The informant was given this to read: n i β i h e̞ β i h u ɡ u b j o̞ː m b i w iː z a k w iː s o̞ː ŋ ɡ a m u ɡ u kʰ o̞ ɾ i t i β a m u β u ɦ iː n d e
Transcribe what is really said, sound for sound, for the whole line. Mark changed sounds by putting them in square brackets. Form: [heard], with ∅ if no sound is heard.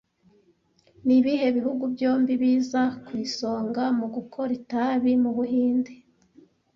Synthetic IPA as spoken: n i β i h e̞ β i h u ɡ u b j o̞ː m b i [β] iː z a k w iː s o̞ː ŋ ɡ a m u ɡ u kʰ o̞ ɾ i t [a] β [i] m u β u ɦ iː n d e